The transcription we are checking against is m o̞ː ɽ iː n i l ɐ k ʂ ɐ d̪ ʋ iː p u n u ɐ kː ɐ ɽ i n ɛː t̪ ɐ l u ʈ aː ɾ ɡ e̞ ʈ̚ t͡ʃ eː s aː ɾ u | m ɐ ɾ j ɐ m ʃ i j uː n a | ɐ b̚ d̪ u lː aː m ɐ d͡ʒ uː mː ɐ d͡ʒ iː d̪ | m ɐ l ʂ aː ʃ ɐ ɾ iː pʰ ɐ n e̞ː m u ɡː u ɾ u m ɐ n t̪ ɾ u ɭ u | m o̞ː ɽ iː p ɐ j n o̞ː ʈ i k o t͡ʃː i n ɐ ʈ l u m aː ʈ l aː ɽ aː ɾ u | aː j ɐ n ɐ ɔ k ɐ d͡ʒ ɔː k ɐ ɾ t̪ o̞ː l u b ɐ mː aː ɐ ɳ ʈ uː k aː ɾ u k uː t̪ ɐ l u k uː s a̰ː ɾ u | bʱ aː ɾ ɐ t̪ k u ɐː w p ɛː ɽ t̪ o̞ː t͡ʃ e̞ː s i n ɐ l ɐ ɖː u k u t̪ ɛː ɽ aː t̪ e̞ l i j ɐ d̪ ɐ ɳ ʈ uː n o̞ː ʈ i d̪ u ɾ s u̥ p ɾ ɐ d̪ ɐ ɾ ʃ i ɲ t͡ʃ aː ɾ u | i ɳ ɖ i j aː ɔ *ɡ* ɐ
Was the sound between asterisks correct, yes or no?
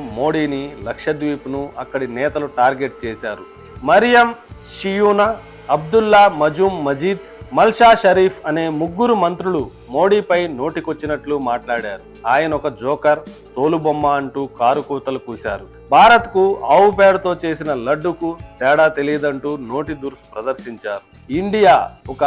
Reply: no